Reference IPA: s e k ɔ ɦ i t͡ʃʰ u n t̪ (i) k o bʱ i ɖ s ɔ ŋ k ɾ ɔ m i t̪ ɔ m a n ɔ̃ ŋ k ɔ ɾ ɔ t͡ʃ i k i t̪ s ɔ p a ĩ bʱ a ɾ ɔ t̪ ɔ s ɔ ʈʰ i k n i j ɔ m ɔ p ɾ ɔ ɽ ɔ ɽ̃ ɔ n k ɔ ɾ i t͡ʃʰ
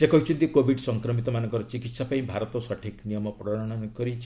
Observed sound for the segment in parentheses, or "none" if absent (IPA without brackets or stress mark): i